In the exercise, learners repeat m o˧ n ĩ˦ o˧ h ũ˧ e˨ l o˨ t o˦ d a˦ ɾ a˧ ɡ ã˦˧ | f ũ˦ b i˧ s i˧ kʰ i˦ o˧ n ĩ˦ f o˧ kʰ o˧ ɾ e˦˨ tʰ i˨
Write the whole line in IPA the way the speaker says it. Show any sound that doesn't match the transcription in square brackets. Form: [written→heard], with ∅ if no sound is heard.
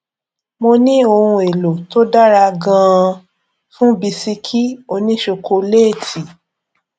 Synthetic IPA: m o˧ n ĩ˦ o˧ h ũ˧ e˨ l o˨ t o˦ d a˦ ɾ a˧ ɡ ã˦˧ | f ũ˦ b i˧ s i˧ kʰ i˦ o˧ n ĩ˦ [f→ʃ] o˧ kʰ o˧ [ɾ→l] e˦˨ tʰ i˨